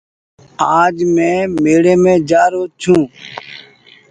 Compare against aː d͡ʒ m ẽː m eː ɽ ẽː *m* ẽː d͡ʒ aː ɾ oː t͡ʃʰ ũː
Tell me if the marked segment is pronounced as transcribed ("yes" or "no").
yes